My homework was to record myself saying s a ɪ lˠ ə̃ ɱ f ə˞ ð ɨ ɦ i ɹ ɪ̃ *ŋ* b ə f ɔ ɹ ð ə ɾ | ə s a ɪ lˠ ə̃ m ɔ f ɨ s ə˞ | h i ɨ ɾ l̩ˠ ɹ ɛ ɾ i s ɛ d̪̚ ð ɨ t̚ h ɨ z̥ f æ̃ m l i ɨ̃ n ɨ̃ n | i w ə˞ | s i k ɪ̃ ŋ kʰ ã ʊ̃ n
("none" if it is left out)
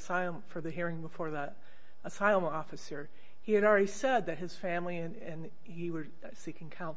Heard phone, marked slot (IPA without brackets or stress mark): ŋ